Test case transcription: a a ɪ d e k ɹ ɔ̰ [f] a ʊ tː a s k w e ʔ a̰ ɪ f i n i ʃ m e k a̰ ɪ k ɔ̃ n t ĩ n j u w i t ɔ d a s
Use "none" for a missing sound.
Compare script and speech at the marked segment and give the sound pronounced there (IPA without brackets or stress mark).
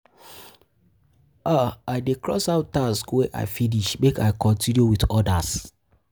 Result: s